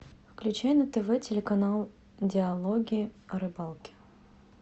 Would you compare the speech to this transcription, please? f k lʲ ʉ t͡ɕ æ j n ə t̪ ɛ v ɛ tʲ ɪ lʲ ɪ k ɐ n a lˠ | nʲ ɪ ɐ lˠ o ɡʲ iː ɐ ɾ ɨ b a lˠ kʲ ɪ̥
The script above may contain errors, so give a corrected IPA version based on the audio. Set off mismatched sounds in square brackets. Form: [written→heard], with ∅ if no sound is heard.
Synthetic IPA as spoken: f k lʲ ʉ t͡ɕ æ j n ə t̪ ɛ v ɛ tʲ ɪ lʲ ɪ k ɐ n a lˠ | [nʲ→dʲ] ɪ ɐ lˠ o ɡʲ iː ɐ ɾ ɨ b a lˠ kʲ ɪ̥